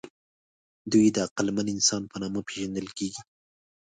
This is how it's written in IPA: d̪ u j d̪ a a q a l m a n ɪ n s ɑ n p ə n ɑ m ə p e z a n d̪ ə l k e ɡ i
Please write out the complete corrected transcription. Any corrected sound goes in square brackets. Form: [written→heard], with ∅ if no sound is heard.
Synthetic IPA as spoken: d̪ u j d̪ [a→ə] a q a l m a n ɪ n s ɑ n p ə n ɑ m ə p e [z→ʒ] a n d̪ ə l k e ɡ i